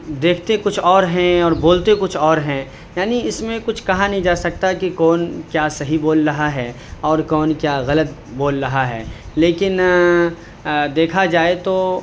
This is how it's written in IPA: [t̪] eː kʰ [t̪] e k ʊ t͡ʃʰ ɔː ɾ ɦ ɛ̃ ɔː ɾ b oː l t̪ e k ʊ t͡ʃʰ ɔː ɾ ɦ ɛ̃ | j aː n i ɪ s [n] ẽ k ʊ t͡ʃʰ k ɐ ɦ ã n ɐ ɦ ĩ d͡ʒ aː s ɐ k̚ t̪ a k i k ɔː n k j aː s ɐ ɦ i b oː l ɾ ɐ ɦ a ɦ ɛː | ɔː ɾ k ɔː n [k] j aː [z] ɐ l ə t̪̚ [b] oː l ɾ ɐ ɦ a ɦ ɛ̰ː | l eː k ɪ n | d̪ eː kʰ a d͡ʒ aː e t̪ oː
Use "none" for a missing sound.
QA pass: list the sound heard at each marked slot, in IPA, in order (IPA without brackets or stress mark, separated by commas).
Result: d̪, t̪, m, k, ɣ, b